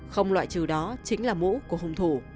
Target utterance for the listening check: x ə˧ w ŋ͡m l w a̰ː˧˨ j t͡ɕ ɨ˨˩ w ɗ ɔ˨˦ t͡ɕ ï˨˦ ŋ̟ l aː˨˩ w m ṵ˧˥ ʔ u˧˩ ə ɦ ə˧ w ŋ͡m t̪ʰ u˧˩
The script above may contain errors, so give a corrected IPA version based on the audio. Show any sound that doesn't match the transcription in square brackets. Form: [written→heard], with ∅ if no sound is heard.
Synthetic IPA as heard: x ə˧ w ŋ͡m l w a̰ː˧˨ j t͡ɕ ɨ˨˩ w ɗ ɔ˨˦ t͡ɕ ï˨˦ ŋ̟ l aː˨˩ [w→∅] m ṵ˧˥ [ʔ→k] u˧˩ ə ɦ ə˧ w ŋ͡m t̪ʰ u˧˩